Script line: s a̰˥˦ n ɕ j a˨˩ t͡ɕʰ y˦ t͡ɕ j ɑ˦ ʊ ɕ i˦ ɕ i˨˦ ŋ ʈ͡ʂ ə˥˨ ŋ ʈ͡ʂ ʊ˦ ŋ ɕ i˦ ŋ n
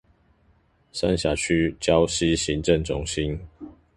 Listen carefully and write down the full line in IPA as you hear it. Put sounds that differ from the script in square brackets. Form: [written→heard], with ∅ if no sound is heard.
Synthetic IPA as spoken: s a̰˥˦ n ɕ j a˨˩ t͡ɕʰ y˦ t͡ɕ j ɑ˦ ʊ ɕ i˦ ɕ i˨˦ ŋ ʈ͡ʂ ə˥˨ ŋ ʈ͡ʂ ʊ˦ ŋ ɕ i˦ [ŋ→∅] n